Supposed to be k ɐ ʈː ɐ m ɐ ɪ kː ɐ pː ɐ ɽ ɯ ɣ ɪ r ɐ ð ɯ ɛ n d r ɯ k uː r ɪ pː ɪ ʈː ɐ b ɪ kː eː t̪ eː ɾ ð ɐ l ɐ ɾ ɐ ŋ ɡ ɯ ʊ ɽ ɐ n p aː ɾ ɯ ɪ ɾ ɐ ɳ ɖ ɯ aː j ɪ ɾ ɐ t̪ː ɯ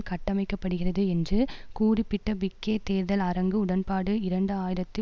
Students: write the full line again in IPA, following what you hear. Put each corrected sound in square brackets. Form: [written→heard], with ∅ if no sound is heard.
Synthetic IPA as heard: k ɐ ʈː ɐ m ɐ ɪ kː ɐ pː ɐ ɽ ɯ ɣ ɪ r ɐ ð ɯ ɛ n d r ɯ k uː r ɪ pː ɪ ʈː ɐ b ɪ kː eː t̪ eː ɾ ð ɐ l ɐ ɾ ɐ ŋ ɡ ɯ ʊ ɽ ɐ n p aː [ɾ→ɽ] ɯ ɪ ɾ ɐ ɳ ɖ ɯ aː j ɪ ɾ ɐ t̪ː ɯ